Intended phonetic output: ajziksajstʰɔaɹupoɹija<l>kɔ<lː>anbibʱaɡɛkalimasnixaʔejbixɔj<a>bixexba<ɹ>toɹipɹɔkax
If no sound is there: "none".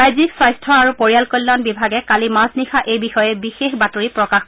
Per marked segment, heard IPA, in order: l, lː, ɛ, none

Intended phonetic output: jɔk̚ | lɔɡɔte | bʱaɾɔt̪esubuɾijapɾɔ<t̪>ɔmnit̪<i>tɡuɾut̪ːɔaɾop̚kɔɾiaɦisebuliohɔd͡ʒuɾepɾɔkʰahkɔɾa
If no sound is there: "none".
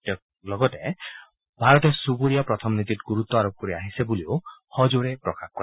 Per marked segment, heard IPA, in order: t̪ʰ, i

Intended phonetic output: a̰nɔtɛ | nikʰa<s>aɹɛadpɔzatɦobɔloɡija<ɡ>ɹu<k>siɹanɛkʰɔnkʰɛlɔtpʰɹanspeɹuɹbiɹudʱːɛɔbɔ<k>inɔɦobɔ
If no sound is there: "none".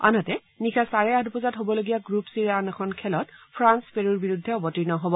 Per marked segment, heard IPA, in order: s, ɡ, p, t

